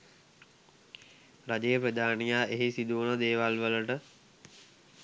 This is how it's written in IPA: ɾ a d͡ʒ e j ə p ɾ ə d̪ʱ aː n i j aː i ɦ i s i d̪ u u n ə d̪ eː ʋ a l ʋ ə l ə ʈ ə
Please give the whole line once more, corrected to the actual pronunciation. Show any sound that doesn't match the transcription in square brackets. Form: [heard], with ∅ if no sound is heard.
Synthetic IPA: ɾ a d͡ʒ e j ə p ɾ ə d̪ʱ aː n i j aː [e] ɦ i s i d̪ u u n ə d̪ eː ʋ a l ʋ ə l ə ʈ ə

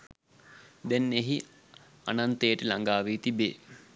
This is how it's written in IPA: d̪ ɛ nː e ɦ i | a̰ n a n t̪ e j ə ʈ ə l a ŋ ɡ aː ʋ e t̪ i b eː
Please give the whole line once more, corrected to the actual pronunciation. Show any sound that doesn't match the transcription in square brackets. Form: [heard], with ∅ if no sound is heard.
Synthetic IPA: d̪ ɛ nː e ɦ i | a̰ n a n t̪ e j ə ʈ ə l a ŋ ɡ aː ʋ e t̪ i b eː

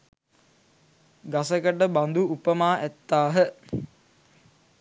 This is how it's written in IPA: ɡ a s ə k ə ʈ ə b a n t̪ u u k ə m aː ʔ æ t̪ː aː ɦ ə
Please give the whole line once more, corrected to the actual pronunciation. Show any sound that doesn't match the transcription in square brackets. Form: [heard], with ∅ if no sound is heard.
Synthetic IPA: ɡ a s ə k ə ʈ ə b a n [d̪] u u [p] ə m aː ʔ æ t̪ː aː ɦ ə

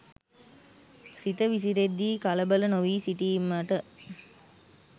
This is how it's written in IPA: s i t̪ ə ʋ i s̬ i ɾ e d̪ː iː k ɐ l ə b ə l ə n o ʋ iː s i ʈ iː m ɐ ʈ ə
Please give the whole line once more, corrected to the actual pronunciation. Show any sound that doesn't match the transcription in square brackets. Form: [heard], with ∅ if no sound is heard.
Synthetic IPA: s i t̪ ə ʋ i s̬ i ɾ e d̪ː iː k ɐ l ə b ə l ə n o ʋ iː s i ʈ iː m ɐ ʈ ə

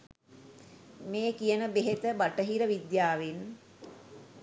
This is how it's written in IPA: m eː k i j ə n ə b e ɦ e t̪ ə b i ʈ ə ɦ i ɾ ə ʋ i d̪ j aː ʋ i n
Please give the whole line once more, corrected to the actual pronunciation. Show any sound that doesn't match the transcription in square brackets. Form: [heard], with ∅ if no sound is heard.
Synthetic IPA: m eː k i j ə n ə b e ɦ e t̪ ə b [a] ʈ ə ɦ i ɾ ə ʋ i d̪ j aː ʋ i n

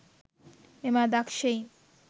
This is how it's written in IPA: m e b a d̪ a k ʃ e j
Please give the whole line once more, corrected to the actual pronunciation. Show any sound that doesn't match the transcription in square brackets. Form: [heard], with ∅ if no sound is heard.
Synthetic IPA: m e [m] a d̪ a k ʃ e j

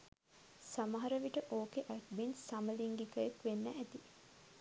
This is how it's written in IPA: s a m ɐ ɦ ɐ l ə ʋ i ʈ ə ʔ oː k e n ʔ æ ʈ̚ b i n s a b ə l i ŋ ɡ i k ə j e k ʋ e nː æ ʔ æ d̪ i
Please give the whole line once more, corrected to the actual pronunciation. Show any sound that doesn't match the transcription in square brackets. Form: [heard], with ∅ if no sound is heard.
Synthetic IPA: s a m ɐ ɦ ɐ [ɾ] ə ʋ i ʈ ə ʔ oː k e [∅] ʔ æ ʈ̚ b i n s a [m] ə l i ŋ ɡ i k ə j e k ʋ e nː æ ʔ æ [t̪] i

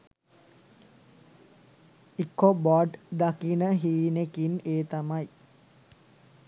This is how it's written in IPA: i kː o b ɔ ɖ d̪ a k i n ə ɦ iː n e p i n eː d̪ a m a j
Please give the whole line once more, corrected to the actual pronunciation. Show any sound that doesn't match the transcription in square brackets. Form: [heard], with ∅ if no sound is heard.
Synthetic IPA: i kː o b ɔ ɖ d̪ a k i n ə ɦ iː n e [k] i n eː [t̪] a m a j

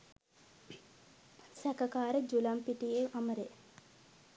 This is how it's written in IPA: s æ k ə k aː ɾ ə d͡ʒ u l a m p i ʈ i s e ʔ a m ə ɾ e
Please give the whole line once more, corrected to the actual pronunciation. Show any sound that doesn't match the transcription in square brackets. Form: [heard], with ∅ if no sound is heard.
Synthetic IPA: s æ k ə k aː ɾ ə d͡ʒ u l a m p i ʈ i [∅] e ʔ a m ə ɾ e

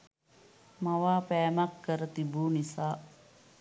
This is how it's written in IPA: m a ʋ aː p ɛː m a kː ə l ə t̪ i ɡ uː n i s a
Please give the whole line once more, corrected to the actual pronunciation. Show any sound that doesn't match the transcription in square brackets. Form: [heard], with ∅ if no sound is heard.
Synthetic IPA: m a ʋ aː p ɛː m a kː ə [ɾ] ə t̪ i [b] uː n i s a

